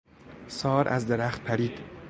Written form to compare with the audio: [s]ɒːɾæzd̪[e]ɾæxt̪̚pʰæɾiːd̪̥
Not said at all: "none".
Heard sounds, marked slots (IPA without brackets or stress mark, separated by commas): s, e